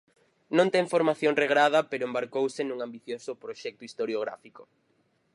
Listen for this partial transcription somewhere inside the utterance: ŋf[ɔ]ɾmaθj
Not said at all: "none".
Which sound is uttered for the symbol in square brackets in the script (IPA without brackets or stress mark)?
o